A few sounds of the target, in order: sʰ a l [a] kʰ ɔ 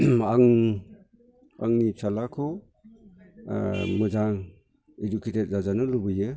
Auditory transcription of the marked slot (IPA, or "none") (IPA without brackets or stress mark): a